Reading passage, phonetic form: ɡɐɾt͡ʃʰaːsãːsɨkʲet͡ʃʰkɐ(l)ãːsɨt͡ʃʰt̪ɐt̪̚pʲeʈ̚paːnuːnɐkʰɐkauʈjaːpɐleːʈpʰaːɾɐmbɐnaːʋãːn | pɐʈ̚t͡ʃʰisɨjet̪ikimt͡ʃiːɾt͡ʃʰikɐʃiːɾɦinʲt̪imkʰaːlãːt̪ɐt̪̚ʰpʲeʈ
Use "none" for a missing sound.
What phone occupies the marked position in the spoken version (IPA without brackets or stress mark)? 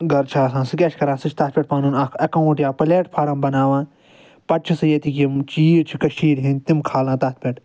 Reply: ɾ